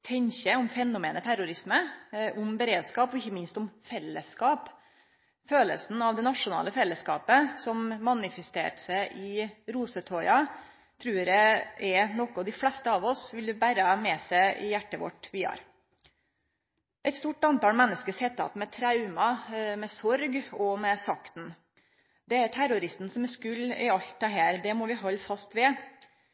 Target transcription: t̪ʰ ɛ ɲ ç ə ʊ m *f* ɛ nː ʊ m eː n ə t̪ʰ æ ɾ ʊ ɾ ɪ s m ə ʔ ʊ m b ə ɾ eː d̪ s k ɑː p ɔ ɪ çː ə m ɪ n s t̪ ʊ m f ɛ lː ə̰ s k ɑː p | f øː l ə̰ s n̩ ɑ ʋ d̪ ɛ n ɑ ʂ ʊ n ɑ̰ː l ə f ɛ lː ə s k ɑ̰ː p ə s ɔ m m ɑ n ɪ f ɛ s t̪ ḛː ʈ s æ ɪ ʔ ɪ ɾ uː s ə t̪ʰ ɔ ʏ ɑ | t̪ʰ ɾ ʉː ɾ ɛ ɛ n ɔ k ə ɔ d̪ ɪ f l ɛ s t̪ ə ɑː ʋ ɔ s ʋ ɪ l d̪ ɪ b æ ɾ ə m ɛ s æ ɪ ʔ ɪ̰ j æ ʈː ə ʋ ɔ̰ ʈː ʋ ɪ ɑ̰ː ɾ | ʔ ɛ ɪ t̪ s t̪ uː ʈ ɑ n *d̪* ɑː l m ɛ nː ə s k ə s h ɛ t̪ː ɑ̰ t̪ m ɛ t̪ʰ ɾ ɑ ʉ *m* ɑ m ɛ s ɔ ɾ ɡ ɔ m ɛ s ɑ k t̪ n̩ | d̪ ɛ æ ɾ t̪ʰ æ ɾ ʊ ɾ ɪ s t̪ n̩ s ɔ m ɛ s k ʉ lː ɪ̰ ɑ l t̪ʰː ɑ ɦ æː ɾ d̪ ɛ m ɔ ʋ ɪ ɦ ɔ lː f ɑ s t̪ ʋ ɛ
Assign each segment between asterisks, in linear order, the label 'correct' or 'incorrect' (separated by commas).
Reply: correct, incorrect, correct